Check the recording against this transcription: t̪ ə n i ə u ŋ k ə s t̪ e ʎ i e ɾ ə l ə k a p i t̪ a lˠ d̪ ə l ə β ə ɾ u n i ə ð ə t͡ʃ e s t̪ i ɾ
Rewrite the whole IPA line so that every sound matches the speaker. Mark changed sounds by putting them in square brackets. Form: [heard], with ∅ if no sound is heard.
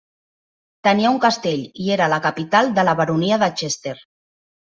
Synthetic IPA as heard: t̪ ə n i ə u ŋ k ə s t̪ e ʎ i e ɾ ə l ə k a p i t̪ a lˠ d̪ ə l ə β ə ɾ u n i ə ð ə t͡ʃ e s t̪ [e] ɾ